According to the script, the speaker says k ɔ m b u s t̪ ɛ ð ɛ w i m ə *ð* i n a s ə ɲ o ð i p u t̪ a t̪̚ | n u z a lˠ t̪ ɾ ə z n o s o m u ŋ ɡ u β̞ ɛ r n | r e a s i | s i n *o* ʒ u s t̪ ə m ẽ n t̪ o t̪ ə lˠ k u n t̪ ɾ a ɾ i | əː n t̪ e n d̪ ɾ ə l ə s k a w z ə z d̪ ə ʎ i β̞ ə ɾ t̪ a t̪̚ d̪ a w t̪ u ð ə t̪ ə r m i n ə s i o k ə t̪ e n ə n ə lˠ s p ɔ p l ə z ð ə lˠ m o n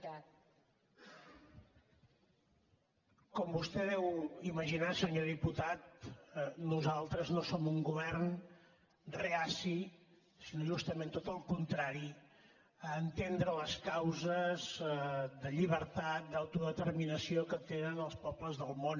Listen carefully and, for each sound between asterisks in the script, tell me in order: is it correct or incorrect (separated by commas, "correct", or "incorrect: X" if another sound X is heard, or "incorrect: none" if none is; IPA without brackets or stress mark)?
incorrect: ʒ, correct